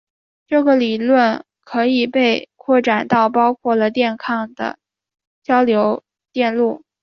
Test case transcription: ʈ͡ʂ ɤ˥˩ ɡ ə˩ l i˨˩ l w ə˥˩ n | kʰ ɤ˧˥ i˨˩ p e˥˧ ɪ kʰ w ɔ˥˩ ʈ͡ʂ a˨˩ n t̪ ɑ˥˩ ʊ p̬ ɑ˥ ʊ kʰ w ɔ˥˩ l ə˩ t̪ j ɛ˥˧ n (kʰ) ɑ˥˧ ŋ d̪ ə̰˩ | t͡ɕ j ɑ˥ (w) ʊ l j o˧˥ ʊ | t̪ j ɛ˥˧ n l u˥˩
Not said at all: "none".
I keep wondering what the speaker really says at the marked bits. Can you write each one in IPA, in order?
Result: kʰ, none

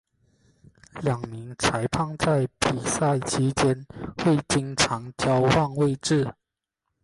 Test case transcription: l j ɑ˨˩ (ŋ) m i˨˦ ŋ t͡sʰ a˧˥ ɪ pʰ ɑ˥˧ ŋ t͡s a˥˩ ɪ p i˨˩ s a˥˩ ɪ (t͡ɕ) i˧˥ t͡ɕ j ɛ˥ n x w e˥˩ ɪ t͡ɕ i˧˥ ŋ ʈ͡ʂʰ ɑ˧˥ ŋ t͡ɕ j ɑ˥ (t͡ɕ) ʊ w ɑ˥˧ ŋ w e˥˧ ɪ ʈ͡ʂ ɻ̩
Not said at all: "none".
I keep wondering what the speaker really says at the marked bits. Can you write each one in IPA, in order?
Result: ŋ, t͡ɕʰ, none

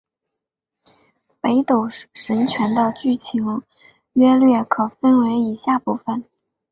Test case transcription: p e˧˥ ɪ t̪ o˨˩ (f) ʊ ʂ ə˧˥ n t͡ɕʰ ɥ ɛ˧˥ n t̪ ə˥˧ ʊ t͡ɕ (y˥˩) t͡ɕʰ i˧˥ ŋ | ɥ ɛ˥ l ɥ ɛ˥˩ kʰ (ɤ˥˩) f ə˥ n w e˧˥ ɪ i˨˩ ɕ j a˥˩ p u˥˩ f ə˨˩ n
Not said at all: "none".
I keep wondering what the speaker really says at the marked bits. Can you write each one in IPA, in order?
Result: none, y˥˩, ɤ˨˩

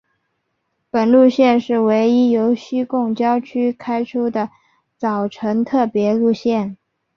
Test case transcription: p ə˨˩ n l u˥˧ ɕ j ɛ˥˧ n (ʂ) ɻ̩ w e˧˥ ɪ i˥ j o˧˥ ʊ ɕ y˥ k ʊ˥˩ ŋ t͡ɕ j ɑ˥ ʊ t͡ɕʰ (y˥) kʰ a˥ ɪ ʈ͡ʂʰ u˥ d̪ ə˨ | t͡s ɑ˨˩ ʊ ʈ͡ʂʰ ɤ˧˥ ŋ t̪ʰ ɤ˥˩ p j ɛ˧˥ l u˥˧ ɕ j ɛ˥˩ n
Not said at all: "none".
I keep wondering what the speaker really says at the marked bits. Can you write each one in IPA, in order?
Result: ʂ, y˥

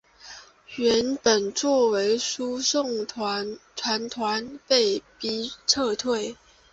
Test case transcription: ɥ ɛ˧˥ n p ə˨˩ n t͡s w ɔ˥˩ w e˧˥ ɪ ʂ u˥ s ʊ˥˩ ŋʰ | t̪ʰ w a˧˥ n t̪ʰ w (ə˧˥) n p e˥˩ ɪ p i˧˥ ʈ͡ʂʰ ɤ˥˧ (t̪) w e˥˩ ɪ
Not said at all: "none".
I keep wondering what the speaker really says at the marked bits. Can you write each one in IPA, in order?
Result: a˧˥, t̪ʰ

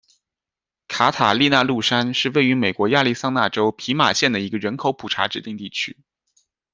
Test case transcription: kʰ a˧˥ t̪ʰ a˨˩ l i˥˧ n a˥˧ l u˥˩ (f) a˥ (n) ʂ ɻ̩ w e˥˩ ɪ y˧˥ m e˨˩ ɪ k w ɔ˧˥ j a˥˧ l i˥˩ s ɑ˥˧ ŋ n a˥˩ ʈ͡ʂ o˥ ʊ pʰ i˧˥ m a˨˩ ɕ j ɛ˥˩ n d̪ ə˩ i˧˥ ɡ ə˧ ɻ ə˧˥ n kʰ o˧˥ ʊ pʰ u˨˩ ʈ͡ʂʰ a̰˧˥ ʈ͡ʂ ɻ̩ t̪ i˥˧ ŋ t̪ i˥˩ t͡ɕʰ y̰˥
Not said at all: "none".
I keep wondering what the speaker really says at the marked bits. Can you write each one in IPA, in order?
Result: ʂ, n

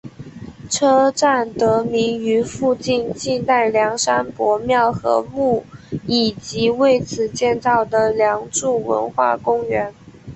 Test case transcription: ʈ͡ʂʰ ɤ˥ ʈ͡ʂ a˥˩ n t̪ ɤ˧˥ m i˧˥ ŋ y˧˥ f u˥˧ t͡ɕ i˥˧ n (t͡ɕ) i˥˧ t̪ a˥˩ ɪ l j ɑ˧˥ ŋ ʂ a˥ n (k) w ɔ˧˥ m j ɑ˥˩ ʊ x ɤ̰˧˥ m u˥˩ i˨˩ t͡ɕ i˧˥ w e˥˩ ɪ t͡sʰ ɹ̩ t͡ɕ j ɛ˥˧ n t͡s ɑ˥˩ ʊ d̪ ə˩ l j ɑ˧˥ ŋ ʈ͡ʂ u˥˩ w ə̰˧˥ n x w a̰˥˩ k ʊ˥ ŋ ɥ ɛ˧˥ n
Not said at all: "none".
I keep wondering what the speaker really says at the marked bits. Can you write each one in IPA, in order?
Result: t͡ɕ, p

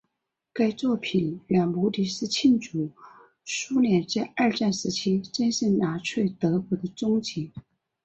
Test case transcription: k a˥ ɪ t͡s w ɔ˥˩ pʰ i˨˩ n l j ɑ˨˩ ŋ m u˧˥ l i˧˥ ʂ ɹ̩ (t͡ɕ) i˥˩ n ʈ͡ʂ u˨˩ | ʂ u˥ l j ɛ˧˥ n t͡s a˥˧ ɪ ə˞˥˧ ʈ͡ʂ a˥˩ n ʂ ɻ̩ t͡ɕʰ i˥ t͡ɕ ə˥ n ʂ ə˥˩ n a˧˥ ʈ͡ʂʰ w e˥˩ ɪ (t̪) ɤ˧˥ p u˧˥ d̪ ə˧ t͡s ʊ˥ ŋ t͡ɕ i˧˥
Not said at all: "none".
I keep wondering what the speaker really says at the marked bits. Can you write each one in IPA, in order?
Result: t͡ɕʰ, t̪

